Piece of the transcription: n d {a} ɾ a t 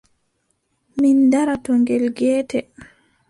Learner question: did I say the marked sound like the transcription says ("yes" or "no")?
yes